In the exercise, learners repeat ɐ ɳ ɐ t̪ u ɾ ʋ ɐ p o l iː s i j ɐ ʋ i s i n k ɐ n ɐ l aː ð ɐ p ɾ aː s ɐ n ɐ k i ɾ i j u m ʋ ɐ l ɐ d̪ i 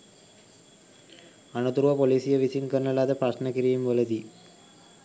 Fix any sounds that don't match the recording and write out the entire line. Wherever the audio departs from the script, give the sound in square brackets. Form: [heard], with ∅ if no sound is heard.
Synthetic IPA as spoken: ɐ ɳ ɐ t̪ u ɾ ʋ ɐ p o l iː s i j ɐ ʋ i s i n k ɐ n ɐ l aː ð ɐ p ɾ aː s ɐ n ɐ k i ɾ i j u m ʋ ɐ l ɐ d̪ i